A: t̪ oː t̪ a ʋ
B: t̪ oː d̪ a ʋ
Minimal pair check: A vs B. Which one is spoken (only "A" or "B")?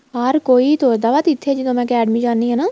B